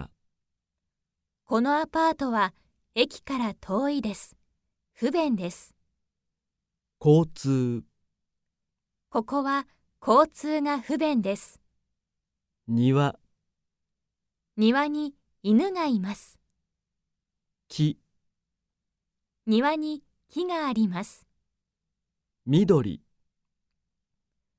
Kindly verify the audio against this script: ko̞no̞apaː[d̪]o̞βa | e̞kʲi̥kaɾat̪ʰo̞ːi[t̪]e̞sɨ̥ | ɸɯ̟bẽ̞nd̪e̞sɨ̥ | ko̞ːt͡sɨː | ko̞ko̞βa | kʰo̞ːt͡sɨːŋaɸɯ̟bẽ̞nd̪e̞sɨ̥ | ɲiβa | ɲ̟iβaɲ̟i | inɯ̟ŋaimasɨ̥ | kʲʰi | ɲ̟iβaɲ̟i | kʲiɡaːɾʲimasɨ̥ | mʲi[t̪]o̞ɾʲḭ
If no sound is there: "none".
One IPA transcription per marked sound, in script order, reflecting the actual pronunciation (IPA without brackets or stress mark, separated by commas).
t̪, d̪, d̪